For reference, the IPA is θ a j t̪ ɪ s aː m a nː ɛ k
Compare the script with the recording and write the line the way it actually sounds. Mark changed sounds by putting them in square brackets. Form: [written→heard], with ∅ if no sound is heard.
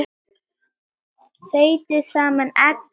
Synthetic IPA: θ [a→e] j t̪ ɪ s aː m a [nː→n] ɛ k